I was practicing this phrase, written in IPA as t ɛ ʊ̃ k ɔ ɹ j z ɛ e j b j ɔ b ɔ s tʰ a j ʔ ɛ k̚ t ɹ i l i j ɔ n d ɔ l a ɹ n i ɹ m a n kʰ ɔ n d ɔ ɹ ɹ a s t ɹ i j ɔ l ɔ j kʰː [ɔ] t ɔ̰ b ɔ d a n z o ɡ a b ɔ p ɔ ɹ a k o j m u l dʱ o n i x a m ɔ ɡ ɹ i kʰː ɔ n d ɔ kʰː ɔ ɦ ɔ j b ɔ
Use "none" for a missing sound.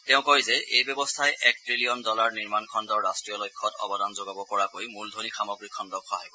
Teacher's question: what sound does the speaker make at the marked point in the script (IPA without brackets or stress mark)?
ɔ